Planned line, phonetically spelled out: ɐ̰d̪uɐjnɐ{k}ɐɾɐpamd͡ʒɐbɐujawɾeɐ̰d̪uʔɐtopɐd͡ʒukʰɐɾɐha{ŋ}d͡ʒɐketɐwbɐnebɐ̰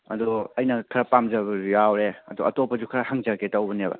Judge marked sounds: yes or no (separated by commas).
no, yes